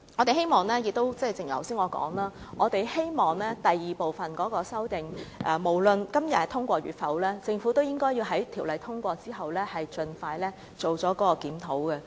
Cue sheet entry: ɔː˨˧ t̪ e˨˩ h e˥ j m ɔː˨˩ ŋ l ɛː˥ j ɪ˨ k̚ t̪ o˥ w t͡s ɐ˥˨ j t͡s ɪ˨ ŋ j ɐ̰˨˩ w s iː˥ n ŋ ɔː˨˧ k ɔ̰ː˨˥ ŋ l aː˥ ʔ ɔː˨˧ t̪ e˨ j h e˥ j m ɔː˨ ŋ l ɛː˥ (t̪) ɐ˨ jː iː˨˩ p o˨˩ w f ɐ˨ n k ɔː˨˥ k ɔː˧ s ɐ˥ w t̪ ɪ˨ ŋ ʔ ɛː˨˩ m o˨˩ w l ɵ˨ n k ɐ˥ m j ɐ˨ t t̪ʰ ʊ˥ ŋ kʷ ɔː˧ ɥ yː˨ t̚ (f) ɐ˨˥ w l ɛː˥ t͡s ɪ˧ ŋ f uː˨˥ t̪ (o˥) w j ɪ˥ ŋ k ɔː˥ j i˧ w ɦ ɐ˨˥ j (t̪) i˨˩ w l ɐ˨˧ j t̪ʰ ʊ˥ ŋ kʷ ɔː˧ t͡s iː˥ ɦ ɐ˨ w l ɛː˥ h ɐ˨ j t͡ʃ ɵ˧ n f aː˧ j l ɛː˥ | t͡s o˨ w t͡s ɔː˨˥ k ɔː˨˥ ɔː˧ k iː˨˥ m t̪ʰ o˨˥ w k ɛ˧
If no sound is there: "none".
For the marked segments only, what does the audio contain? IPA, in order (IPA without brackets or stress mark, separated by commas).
t̪, f, o˥, t̪ʰ